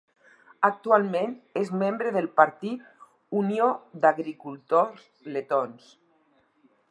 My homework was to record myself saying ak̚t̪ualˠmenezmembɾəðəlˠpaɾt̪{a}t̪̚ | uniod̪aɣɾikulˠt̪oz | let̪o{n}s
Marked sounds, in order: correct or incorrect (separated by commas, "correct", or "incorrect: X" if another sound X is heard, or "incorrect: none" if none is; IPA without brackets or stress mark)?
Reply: incorrect: i, correct